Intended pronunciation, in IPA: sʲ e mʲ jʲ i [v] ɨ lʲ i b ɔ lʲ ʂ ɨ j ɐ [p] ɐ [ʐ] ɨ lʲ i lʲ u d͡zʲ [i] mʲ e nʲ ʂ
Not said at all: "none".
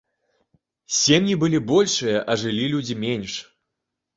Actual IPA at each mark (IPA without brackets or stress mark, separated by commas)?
b, ʔ, ʐ, i